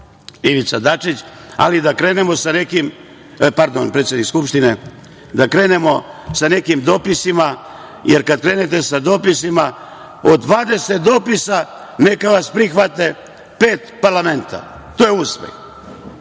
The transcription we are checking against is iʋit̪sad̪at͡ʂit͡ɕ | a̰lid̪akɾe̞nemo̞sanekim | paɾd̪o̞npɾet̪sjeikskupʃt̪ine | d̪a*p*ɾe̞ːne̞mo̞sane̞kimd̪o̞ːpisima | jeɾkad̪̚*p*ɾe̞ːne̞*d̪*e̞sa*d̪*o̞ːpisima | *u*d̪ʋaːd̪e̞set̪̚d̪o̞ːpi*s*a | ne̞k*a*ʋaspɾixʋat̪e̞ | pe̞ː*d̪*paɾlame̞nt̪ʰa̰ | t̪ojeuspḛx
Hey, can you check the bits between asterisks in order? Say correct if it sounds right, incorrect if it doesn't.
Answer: incorrect, incorrect, incorrect, correct, incorrect, correct, correct, incorrect

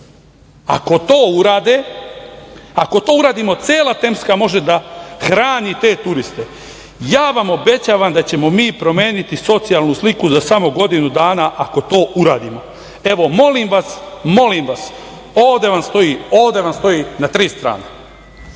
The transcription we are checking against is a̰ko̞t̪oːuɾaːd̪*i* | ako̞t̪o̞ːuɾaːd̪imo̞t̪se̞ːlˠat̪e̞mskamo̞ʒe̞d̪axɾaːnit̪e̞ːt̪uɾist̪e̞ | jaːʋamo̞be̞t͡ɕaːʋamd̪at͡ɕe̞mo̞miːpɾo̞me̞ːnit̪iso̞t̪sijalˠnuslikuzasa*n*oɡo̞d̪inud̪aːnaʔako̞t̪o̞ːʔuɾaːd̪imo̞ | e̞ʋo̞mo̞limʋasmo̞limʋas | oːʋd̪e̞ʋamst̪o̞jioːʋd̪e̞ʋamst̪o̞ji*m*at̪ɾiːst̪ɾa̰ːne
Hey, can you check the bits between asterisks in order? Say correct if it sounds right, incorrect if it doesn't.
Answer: incorrect, incorrect, incorrect

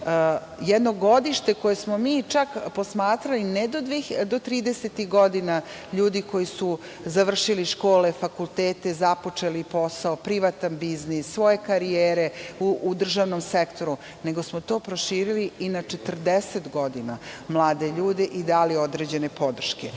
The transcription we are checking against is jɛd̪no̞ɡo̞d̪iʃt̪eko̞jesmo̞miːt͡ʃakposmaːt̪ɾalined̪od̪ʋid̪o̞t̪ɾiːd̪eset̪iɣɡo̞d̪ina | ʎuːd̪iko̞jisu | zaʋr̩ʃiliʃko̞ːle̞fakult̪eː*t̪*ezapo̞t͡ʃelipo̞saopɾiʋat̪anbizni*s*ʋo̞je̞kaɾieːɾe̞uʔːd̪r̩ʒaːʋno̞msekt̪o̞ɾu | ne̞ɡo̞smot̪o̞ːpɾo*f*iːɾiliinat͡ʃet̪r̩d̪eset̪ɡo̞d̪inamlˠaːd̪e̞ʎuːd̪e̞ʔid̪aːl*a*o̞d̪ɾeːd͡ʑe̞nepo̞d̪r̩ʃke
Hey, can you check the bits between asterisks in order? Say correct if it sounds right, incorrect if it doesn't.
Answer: correct, incorrect, incorrect, incorrect

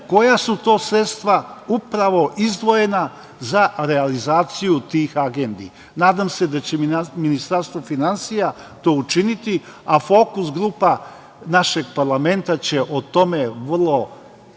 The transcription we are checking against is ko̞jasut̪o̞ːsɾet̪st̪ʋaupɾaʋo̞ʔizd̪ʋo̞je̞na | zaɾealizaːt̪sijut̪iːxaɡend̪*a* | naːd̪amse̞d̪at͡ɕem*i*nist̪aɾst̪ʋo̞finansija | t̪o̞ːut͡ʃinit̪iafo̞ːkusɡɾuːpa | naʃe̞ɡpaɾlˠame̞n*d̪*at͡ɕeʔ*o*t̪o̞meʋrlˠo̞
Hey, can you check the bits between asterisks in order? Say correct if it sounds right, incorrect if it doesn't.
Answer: incorrect, correct, incorrect, correct

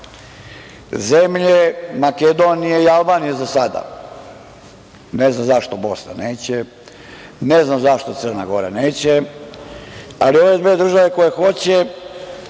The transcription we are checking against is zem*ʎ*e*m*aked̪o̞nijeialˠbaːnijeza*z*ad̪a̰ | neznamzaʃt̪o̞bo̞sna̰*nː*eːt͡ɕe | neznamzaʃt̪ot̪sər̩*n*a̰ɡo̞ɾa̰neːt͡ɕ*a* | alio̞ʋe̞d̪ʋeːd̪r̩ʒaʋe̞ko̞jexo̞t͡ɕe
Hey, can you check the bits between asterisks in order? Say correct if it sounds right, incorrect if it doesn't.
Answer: correct, correct, incorrect, incorrect, correct, incorrect

